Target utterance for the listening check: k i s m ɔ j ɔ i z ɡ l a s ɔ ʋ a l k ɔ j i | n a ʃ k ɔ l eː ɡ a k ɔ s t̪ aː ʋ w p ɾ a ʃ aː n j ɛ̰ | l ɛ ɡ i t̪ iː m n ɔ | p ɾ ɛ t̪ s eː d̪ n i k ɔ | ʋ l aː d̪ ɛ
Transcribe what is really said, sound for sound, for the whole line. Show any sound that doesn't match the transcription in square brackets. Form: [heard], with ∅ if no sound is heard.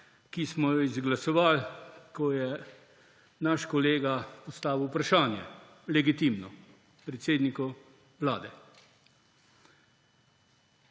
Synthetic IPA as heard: k i s m ɔ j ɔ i z ɡ l a s ɔ ʋ a l k ɔ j [ɛ] | n a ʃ k ɔ l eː ɡ a [p] ɔ s t̪ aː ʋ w p ɾ a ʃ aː n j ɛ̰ | l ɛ ɡ i t̪ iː m n ɔ | p ɾ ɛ t̪ s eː d̪ n i k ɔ | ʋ l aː d̪ ɛ

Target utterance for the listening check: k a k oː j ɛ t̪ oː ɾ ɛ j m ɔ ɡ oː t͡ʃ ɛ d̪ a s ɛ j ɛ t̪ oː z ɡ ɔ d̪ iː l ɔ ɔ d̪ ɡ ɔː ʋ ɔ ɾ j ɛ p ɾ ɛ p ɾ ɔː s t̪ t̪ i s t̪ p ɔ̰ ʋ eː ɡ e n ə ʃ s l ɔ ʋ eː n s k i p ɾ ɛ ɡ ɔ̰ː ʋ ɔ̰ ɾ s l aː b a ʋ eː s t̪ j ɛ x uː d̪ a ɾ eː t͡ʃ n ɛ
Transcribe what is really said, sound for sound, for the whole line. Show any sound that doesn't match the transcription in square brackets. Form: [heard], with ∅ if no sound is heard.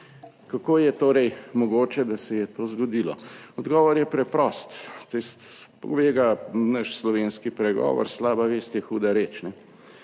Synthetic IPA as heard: k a k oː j ɛ t̪ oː ɾ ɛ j m ɔ ɡ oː t͡ʃ ɛ d̪ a s ɛ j ɛ t̪ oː z ɡ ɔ d̪ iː l ɔ ɔ d̪ ɡ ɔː ʋ ɔ ɾ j ɛ p ɾ ɛ p ɾ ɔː s t̪ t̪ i s t̪ p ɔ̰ ʋ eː ɡ [a] n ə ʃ s l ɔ ʋ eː n s k i p ɾ ɛ ɡ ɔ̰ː ʋ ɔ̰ ɾ s l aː b a ʋ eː s t̪ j ɛ x uː d̪ a ɾ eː t͡ʃ n ɛ

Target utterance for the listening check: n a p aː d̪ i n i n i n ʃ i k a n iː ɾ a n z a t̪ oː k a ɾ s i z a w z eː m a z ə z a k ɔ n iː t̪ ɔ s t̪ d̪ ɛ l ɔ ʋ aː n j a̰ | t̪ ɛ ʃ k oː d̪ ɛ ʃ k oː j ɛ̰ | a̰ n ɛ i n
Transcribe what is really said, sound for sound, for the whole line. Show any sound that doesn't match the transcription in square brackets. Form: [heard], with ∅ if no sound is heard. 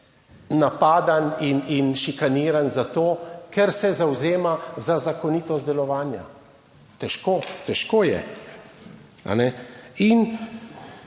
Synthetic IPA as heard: n a p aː d̪ [a] n i n i n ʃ i k a n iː ɾ a n z a t̪ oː k [ɛ] ɾ s [ɛ] z a w z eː m a z [a] z a k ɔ n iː t̪ ɔ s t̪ d̪ ɛ l ɔ ʋ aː n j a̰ | t̪ ɛ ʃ k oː [t̪] ɛ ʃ k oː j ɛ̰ | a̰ n ɛ i n

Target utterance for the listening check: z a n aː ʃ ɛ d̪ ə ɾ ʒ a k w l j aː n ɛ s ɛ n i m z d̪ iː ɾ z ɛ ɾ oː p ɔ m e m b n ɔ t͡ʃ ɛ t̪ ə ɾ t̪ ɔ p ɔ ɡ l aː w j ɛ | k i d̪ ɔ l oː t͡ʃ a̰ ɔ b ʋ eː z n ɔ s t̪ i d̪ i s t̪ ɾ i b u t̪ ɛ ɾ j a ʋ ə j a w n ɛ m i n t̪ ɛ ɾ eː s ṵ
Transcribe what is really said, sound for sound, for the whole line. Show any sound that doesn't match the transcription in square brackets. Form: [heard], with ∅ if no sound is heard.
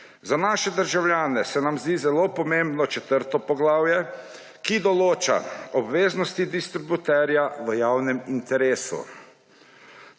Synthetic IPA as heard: z a n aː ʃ ɛ d̪ ə ɾ ʒ a [∅] w l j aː n ɛ s ɛ n [a] m z d̪ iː [∅] z ɛ [l] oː p ɔ m e m b n ɔ t͡ʃ ɛ t̪ ə ɾ t̪ ɔ p ɔ ɡ l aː w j ɛ | k i d̪ ɔ l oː t͡ʃ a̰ ɔ b ʋ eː z n ɔ s t̪ i d̪ i s t̪ ɾ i b u t̪ ɛ ɾ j a ʋ ə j a w n ɛ m i n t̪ ɛ ɾ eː s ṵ

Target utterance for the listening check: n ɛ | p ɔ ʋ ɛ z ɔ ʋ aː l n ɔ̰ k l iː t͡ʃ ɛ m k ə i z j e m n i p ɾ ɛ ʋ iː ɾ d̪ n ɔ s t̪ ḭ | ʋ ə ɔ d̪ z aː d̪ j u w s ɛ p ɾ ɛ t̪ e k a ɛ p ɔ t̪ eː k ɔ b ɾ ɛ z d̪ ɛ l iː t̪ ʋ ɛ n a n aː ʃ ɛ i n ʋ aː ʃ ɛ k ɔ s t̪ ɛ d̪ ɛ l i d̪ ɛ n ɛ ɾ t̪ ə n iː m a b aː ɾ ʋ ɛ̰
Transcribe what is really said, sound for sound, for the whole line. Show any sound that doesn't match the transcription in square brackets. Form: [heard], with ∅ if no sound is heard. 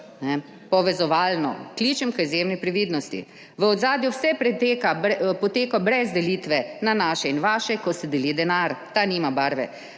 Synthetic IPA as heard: n ɛ | p ɔ ʋ ɛ z ɔ ʋ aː l n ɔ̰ k l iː t͡ʃ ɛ m k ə i z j e m n i p ɾ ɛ ʋ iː [∅] d̪ n ɔ s t̪ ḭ | ʋ ə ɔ d̪ z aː d̪ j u w s ɛ p ɾ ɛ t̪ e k a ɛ p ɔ t̪ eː k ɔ b ɾ ɛ z d̪ ɛ l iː t̪ ʋ ɛ n a n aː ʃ ɛ i n ʋ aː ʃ ɛ k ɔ s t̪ ɛ d̪ ɛ l i d̪ ɛ n [a] ɾ t̪ [a] n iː m a b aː ɾ ʋ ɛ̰

